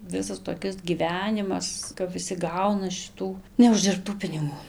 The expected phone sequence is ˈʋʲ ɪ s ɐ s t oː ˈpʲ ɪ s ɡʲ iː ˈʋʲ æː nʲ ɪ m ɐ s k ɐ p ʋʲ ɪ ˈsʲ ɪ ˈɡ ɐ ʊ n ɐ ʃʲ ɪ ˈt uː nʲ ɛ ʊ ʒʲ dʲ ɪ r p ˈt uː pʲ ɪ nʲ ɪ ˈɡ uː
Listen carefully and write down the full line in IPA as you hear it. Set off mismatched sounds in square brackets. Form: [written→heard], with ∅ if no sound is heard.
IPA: ˈʋʲ ɪ s ɐ s t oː [ˈpʲ→ˈkʲ] ɪ s ɡʲ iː ˈʋʲ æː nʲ ɪ m ɐ s k ɐ p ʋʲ ɪ ˈsʲ ɪ ˈɡ ɐ ʊ n ɐ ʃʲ ɪ ˈt uː nʲ ɛ ʊ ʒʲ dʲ ɪ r p ˈt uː pʲ ɪ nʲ ɪ ˈɡ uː